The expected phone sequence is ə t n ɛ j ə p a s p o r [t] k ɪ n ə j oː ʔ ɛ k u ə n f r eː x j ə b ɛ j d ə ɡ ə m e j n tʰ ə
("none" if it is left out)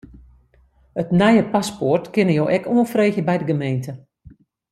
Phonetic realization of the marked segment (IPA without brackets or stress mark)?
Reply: t